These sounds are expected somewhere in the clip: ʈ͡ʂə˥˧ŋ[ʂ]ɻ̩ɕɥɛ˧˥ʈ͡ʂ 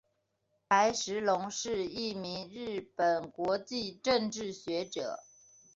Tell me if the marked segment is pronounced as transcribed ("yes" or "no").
no